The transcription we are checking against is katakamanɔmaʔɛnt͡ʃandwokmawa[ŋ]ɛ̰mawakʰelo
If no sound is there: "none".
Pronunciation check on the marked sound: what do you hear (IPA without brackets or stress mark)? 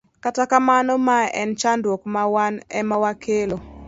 n